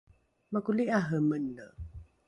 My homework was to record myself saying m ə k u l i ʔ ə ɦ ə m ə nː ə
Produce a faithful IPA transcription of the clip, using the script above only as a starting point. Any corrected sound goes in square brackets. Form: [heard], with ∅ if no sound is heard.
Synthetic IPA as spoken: m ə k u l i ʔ [a] ɦ ə m ə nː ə

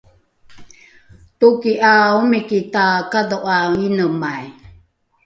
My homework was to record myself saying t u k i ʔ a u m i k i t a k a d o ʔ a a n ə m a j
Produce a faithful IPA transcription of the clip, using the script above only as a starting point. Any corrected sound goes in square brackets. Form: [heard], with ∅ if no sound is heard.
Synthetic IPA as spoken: t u k i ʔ a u m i k i t a k a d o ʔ a [i] n ə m a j

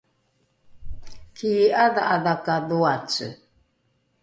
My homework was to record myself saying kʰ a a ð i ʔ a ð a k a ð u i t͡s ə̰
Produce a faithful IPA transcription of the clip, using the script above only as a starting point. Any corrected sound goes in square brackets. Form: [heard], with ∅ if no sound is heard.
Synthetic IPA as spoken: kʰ [i] a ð [a] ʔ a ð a k a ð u [a] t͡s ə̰

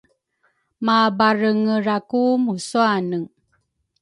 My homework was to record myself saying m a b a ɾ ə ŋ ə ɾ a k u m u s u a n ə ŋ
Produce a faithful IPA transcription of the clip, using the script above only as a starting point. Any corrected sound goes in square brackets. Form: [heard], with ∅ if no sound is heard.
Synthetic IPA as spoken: m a b a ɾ ə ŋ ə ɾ a k u m u s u a n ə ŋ

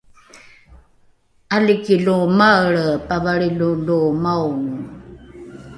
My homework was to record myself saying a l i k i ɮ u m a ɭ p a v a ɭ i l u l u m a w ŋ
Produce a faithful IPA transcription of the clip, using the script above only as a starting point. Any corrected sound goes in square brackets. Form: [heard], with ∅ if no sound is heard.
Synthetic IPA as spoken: a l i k i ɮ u m a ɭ p a v a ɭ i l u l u m a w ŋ

